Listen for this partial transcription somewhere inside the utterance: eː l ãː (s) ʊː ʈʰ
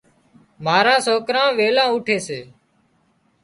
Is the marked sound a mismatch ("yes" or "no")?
yes